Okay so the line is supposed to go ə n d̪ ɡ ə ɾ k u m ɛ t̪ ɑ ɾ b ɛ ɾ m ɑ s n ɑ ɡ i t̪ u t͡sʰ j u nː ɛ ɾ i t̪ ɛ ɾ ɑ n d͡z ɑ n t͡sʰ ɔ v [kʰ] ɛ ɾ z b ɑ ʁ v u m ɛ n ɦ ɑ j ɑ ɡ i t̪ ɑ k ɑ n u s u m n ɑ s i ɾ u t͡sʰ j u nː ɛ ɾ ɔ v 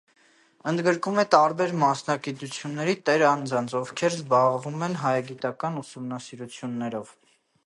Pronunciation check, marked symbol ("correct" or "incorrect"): correct